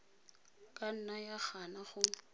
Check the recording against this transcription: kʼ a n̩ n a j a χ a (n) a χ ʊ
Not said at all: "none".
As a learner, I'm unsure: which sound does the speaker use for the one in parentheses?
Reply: n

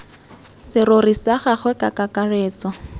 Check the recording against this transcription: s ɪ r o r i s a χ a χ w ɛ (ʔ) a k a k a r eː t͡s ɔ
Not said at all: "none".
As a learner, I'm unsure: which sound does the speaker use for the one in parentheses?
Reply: k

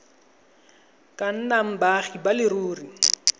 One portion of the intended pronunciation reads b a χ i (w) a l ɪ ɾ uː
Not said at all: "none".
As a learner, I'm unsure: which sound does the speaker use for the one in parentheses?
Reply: b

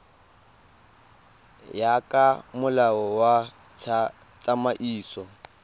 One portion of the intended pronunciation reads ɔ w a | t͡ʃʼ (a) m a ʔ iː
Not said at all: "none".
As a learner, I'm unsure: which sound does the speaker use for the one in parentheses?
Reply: a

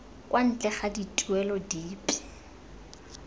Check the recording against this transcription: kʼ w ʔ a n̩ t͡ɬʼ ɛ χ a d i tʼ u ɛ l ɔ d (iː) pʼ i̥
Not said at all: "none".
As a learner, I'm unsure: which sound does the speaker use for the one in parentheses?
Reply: iː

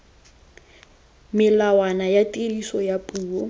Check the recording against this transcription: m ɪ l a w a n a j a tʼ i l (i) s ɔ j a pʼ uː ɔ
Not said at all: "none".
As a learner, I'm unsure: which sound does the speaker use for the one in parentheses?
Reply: i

